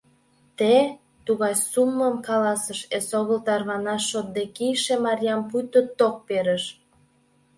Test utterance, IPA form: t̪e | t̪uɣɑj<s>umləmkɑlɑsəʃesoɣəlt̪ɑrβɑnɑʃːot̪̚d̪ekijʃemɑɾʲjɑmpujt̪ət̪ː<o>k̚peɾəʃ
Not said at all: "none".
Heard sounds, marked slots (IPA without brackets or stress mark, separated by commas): s, o